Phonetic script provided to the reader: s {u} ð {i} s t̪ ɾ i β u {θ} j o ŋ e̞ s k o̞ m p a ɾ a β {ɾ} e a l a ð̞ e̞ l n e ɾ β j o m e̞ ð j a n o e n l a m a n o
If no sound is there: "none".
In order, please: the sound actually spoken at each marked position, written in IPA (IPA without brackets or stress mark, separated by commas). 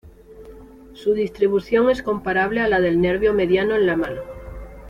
u, i, θ, l